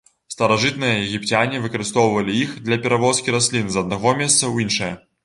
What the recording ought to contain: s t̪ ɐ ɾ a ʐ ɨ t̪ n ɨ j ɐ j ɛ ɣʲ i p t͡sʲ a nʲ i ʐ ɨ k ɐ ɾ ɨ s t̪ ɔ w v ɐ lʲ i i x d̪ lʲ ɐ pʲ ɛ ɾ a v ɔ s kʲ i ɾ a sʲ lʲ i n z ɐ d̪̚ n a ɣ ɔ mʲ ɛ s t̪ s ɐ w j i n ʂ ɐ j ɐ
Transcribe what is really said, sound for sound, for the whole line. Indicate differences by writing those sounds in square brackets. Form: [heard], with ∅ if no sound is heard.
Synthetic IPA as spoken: s t̪ ɐ ɾ a ʐ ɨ t̪ n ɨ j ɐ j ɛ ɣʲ i p t͡sʲ a nʲ i [v] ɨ k ɐ ɾ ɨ s t̪ ɔ w v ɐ lʲ i i x d̪ lʲ ɐ pʲ ɛ ɾ a v ɔ s kʲ i ɾ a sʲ lʲ i n z ɐ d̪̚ n a ɣ ɔ mʲ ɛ s t̪ s ɐ w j i n ʂ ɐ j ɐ